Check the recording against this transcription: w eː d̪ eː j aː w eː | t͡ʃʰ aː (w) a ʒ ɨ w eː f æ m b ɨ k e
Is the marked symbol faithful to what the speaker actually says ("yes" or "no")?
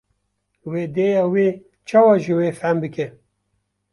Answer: yes